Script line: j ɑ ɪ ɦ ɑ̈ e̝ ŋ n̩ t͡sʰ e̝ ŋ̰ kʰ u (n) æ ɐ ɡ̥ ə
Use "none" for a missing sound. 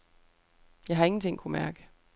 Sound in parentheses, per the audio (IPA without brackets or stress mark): m